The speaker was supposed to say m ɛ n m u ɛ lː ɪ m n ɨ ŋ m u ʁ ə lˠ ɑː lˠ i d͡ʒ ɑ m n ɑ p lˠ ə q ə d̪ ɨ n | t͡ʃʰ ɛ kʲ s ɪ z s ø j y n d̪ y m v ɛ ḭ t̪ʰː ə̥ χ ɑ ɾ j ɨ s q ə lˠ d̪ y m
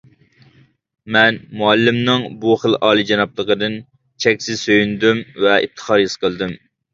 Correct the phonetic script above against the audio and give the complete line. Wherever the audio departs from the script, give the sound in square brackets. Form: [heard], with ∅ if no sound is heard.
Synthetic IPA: m ɛ n m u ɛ lː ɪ m n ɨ ŋ [b] u [χ] ə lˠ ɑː lˠ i d͡ʒ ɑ [∅] n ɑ p lˠ ə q ə d̪ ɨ n | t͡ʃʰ ɛ kʲ s ɪ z s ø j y n d̪ y m v ɛ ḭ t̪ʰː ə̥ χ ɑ ɾ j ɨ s q ə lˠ d̪ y m